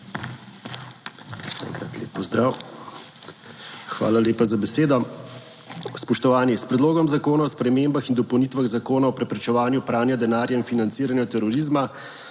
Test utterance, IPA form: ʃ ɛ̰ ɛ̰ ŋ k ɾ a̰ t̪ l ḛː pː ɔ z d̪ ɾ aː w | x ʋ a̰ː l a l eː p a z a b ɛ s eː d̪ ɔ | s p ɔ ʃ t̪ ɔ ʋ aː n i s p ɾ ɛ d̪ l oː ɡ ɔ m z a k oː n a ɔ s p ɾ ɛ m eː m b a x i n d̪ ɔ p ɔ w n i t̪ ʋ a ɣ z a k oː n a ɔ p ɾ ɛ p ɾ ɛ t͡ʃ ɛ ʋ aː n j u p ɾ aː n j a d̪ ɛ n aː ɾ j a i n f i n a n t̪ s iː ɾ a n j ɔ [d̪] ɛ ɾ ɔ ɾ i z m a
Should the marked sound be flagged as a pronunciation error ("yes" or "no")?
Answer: yes